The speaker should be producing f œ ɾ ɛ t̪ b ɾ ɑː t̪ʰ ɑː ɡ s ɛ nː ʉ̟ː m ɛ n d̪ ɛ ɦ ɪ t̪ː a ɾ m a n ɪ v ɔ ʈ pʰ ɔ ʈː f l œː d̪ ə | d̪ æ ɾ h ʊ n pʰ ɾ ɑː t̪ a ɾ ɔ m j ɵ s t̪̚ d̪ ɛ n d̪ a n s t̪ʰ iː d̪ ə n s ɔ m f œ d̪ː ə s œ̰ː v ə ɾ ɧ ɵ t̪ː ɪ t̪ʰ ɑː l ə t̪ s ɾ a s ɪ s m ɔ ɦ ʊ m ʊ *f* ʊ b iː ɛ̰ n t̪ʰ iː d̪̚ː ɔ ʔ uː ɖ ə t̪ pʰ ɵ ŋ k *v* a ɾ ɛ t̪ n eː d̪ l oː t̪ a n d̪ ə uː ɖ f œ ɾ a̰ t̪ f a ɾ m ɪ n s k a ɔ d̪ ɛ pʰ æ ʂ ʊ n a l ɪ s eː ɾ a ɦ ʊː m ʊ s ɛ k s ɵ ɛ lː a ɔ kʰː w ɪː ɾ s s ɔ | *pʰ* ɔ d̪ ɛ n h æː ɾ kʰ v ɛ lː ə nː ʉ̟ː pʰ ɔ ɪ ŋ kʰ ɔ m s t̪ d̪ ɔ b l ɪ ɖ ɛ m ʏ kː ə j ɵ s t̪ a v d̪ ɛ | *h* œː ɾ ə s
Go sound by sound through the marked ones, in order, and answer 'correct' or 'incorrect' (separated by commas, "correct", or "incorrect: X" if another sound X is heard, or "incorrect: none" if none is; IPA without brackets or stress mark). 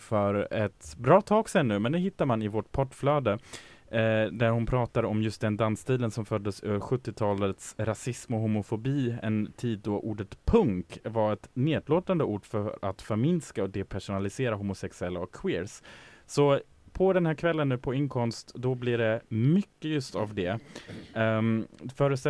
correct, correct, correct, incorrect: f